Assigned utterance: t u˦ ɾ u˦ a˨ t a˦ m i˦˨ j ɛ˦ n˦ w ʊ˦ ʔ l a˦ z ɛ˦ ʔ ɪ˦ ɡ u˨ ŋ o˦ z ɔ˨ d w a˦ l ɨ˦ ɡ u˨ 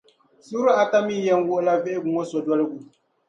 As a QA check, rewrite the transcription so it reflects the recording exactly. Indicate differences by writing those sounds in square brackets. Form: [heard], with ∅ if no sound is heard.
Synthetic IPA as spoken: [s] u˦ ɾ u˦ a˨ t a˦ m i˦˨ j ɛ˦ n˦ w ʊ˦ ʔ l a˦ [v] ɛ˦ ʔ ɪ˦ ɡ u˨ ŋ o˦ [s] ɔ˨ d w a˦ l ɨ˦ ɡ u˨